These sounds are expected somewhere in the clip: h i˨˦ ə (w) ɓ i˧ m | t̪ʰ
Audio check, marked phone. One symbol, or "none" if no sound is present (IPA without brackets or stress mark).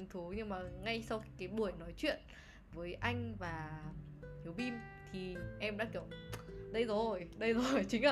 w